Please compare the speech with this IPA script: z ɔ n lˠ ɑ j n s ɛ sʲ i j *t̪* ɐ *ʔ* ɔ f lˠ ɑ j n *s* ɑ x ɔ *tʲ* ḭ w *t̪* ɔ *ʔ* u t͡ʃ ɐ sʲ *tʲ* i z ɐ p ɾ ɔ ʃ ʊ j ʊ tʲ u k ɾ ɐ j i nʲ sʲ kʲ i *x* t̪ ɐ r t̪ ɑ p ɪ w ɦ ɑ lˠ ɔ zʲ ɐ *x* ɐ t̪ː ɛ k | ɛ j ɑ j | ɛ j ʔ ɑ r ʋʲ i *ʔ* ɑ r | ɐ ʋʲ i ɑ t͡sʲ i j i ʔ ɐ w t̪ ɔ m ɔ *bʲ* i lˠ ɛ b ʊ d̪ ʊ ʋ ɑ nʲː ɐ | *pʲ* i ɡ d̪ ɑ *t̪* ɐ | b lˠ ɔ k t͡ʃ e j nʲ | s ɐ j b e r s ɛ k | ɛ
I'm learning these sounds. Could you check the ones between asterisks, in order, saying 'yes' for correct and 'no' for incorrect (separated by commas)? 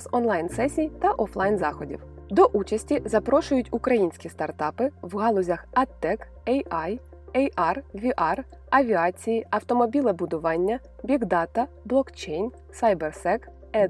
yes, yes, no, no, no, yes, yes, no, yes, yes, yes, no, yes